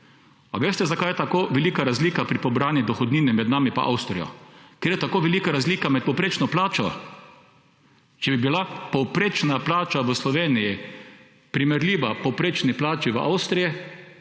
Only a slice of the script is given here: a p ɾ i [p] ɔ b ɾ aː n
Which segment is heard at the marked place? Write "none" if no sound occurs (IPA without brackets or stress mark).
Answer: p